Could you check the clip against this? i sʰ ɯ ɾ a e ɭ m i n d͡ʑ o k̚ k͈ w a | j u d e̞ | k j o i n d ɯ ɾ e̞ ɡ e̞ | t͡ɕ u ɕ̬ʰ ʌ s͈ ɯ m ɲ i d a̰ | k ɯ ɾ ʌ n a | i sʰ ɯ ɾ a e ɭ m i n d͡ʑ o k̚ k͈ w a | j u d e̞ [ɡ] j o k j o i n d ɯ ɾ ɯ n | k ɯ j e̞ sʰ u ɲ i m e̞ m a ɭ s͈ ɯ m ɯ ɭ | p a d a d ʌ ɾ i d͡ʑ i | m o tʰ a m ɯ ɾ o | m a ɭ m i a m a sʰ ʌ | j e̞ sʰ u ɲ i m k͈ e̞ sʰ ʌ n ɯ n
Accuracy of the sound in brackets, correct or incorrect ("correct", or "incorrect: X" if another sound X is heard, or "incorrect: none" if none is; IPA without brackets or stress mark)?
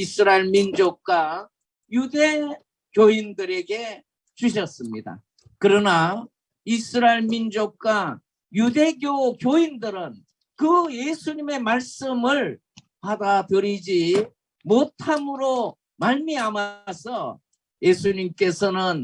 correct